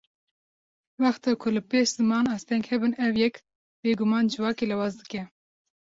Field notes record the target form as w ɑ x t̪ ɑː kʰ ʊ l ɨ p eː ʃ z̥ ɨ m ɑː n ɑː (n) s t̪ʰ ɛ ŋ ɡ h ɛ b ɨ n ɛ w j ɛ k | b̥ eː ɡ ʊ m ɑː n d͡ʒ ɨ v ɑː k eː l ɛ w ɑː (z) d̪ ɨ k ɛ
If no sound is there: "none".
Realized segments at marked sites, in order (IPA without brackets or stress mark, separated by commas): none, z